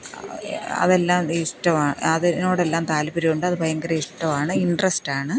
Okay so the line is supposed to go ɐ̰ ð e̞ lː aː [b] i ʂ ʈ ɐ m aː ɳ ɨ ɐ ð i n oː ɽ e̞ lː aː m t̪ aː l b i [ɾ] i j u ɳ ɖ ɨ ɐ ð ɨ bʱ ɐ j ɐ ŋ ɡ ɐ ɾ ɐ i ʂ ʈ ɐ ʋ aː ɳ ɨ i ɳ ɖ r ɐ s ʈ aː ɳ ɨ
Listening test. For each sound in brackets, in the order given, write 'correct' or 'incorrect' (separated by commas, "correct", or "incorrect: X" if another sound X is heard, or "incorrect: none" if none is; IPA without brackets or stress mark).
incorrect: m, correct